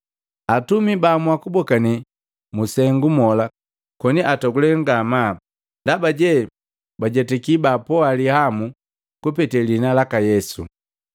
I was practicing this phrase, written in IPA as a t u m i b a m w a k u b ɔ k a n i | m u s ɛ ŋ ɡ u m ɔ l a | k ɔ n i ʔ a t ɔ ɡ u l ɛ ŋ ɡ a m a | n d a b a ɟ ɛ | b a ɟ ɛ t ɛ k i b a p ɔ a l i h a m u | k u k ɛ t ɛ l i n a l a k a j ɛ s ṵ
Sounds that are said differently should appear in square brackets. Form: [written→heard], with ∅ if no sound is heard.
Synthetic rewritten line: a t u m i b a m w a k u b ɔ k a n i | m u s ɛ ŋ ɡ u m ɔ l a | k ɔ n i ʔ a t ɔ ɡ u l ɛ ŋ ɡ a m a | n d a b a ɟ ɛ | b a ɟ ɛ t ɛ k i b a p ɔ a l i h a m u | k u [k→p] ɛ t ɛ l i n a l a k a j ɛ s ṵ